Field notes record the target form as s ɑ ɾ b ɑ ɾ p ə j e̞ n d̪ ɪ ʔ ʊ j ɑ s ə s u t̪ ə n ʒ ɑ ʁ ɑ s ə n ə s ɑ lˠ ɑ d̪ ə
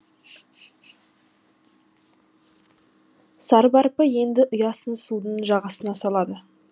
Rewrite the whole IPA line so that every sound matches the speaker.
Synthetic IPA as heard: s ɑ ɾ b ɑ ɾ p ə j e̞ n d̪ ɪ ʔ ʊ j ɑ s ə s u d̪ ə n ʒ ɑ ʁ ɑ s ə n ɑ s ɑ lˠ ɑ d̪ ə